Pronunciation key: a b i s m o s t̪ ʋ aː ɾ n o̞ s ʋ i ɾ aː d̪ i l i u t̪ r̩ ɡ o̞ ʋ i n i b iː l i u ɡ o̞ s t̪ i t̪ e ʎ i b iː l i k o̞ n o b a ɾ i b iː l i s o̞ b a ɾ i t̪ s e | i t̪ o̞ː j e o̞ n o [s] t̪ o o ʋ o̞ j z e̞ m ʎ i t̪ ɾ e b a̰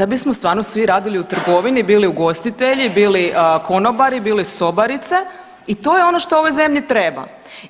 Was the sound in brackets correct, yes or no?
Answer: no